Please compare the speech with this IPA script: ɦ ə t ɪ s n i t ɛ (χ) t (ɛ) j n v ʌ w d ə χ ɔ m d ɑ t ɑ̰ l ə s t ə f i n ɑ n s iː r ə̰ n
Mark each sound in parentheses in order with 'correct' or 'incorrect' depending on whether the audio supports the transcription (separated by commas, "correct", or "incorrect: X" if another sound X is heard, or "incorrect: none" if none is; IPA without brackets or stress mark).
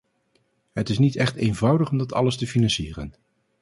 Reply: correct, incorrect: e